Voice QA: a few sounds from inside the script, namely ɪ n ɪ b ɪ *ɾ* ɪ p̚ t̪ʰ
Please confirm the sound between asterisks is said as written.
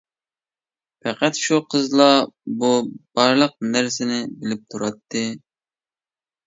no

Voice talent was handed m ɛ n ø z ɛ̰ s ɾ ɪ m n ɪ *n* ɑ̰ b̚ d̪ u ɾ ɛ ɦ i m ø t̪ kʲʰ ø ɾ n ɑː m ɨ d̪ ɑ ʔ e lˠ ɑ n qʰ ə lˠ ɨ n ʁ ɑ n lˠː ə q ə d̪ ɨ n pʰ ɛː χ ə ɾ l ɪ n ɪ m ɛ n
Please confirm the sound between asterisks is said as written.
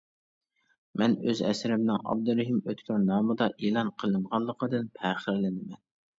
no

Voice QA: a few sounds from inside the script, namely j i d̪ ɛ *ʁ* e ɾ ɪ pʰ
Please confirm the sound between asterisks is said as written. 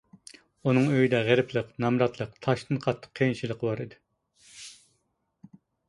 yes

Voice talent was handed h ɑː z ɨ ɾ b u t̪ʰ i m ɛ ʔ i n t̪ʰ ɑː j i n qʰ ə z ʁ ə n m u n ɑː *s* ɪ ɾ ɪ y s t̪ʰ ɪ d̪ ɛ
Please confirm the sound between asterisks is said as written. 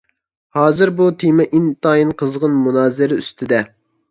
no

